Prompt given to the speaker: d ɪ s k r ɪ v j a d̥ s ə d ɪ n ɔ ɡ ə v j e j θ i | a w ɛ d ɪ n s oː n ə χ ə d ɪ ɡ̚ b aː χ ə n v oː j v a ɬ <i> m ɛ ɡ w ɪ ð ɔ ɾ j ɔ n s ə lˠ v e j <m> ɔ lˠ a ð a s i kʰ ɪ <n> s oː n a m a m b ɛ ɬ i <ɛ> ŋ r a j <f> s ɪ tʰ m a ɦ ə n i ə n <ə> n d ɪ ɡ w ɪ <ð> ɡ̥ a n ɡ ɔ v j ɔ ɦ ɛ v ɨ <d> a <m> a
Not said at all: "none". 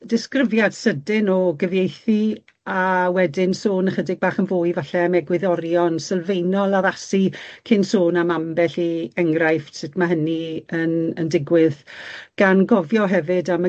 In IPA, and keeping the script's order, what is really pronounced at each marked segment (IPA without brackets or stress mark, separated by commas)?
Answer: ɛ, n, n, ɛ, f, ə, ð, d, m